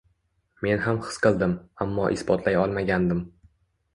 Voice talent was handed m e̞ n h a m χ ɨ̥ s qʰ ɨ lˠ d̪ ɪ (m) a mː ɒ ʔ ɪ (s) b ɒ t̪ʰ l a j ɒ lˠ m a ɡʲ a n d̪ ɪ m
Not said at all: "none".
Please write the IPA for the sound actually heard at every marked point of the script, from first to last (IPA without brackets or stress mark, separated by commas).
m, s